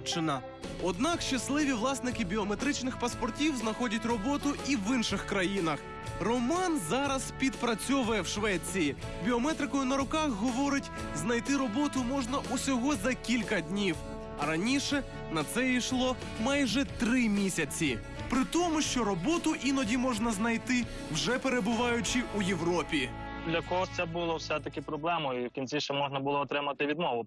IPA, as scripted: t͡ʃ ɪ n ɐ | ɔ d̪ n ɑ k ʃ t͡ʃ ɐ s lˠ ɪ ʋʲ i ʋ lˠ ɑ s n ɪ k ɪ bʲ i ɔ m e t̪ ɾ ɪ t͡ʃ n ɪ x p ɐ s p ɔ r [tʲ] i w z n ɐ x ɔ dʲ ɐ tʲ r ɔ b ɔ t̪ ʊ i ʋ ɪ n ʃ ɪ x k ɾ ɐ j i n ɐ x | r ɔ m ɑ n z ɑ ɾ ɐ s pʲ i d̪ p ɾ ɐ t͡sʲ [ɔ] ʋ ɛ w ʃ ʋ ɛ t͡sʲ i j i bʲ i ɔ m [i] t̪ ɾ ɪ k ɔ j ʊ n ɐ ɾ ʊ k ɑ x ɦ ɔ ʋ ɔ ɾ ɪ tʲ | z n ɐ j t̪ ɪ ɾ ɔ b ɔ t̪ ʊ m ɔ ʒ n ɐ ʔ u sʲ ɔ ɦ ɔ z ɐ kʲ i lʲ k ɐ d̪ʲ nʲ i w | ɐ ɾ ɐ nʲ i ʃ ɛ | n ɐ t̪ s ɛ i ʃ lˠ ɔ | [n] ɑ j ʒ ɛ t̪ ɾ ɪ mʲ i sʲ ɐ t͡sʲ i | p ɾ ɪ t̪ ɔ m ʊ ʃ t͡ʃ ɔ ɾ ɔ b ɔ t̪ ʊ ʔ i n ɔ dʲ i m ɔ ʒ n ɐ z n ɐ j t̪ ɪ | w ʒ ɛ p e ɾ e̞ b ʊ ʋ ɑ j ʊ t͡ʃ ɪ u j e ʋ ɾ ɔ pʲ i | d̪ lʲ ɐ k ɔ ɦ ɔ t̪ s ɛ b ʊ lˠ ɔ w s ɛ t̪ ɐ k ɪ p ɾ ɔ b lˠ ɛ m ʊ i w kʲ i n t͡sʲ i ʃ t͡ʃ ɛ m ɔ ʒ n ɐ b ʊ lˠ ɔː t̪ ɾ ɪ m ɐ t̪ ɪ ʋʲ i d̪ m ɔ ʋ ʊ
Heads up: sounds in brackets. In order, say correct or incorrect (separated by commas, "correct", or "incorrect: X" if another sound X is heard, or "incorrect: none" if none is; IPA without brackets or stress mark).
correct, correct, incorrect: ɛ, incorrect: m